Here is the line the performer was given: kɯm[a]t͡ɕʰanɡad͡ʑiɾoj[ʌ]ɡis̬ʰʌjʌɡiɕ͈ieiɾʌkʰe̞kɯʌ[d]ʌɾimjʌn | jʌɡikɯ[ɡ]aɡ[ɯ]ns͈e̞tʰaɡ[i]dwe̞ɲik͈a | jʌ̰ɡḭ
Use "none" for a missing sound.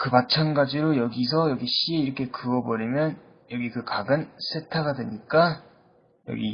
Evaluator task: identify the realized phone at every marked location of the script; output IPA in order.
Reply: a, ʌ, b, k, ɯ, a

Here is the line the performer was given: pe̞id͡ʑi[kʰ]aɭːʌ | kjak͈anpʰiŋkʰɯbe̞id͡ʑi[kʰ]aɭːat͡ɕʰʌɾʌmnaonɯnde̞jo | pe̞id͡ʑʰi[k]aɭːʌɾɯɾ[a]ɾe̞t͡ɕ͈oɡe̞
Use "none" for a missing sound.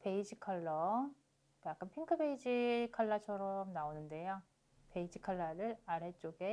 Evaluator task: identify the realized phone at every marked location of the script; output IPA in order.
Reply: kʰ, kʰ, kʰ, a

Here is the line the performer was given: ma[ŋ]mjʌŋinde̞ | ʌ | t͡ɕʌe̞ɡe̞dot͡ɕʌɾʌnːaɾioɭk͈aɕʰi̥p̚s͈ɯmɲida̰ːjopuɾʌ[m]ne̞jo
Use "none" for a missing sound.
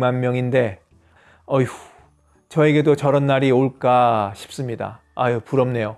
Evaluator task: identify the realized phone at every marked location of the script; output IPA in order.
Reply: n, m

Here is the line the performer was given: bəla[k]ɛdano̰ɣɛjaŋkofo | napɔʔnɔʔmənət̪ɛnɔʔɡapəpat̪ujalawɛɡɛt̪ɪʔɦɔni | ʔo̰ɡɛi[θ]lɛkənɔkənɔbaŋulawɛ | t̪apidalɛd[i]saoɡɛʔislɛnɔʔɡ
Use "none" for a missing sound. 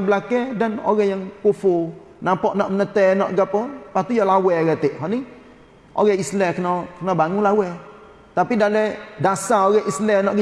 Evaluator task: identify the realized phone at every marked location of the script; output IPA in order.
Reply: k, s, a

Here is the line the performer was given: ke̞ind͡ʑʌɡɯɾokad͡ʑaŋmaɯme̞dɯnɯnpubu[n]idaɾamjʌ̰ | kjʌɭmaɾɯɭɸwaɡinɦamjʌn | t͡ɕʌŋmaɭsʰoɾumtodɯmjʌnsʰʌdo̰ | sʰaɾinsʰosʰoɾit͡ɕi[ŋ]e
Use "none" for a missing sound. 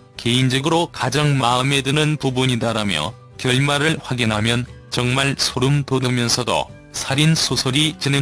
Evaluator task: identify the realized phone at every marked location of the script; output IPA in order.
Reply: ɲ, n

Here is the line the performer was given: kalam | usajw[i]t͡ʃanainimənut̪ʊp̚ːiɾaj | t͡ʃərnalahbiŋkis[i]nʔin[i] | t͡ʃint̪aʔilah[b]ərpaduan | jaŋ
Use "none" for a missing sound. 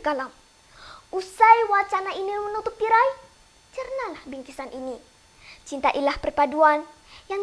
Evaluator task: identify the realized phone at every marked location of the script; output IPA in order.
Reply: a, a, i, p

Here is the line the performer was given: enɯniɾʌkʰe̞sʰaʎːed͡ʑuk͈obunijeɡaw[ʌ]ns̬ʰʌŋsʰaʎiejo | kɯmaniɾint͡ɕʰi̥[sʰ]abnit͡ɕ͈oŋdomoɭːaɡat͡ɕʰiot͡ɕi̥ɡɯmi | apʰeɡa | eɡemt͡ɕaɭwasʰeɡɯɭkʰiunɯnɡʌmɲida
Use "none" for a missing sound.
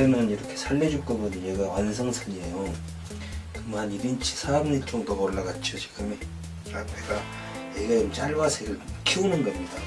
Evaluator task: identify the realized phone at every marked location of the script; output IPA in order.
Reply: a, sʰ

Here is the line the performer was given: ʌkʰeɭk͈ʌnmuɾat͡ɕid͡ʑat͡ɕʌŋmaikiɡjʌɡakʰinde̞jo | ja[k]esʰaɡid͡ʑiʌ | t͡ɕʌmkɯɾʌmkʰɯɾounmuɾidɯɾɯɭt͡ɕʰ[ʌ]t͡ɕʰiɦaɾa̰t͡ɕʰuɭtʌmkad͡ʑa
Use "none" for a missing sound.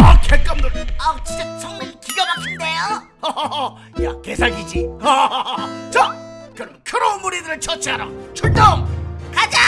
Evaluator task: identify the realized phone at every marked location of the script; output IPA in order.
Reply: k, ʌ

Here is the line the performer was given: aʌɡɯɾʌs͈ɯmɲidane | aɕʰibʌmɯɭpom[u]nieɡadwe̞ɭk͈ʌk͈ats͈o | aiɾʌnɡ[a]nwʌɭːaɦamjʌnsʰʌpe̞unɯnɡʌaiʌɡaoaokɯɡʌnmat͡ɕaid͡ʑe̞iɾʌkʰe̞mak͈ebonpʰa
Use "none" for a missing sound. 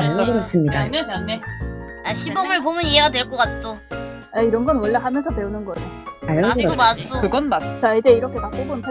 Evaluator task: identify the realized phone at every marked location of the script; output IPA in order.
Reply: ɯ, ʌ

